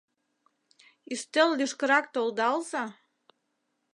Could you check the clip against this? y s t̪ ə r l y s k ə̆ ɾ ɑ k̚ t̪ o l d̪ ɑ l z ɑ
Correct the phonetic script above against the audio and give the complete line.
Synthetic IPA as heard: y s t̪ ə l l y ʃ k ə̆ ɾ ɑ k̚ t̪ o l d̪ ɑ l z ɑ